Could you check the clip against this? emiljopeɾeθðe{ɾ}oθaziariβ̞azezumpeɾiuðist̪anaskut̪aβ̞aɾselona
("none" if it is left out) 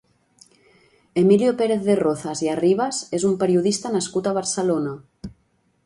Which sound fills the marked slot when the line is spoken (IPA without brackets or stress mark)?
r